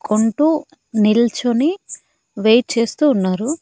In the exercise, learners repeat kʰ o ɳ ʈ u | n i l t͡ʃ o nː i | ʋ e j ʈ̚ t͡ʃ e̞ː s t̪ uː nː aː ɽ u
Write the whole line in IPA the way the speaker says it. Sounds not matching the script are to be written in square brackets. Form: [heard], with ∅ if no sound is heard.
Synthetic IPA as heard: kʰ o ɳ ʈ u | n i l t͡ʃ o [n] i | ʋ e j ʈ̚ t͡ʃ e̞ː s t̪ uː nː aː [ɾ] u